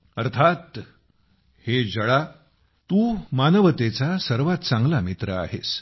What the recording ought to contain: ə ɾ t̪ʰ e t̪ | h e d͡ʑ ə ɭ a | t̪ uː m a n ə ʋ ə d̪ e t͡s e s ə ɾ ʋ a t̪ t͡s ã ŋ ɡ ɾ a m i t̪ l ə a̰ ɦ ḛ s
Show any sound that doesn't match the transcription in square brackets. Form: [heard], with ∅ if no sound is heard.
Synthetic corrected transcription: ə ɾ t̪ʰ [a] t̪ | h e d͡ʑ ə ɭ a | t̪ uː m a n ə ʋ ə [t̪] e t͡s [a] s ə ɾ ʋ a t̪ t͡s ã ŋ ɡ [l] a m i t̪ [ɾ] ə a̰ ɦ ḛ s